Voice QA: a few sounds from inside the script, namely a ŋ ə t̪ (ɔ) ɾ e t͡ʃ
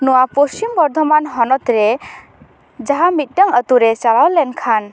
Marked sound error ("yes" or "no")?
yes